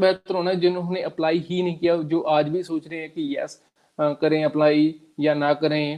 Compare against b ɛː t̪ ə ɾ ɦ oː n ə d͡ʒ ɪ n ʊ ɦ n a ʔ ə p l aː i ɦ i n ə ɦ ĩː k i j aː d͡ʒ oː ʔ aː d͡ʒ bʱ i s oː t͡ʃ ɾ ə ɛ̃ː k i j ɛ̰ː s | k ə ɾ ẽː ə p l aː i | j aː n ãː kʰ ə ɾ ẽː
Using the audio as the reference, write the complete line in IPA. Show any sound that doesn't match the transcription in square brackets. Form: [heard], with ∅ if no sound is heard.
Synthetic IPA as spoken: b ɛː t̪ ə ɾ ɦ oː n [a] d͡ʒ ɪ n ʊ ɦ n [e] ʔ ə p l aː i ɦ i n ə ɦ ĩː k i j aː d͡ʒ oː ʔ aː d͡ʒ bʱ i s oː t͡ʃ ɾ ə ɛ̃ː k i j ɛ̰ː s | k ə ɾ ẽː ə p l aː i | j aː n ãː [k] ə ɾ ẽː